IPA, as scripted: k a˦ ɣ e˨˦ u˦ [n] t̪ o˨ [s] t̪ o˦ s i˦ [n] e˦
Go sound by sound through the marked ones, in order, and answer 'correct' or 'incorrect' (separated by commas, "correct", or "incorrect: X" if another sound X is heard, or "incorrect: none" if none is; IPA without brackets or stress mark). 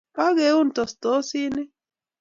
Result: correct, correct, correct